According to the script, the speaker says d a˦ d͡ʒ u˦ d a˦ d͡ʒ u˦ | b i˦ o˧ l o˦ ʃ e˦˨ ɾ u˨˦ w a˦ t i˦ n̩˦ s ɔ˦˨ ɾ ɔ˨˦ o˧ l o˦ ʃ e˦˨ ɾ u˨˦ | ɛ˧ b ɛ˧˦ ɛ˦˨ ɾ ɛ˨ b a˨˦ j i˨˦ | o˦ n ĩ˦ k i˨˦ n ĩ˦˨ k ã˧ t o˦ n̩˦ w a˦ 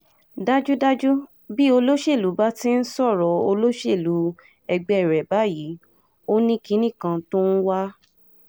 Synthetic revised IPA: d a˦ d͡ʒ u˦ d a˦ d͡ʒ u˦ | b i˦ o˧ l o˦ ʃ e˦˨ l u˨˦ b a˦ t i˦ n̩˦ s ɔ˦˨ ɾ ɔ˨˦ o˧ l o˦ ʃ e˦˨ l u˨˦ | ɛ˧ ɡ͡b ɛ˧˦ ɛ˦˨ ɾ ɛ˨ b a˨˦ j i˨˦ | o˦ n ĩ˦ k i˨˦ n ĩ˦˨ k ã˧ t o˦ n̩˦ w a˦